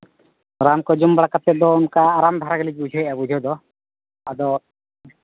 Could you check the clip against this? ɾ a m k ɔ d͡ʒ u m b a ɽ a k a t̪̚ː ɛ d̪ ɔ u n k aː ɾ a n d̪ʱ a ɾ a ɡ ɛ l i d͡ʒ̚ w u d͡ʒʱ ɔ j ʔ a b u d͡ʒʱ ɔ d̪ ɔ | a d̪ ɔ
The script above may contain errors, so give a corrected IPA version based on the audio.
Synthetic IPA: ɾ a m k ɔ d͡ʒ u m b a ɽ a k a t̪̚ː ɛ d̪ ɔ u n k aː ɾ a m d̪ʱ a ɾ a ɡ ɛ l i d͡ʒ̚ b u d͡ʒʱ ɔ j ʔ a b u d͡ʒʱ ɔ d̪ ɔ | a d̪ ɔ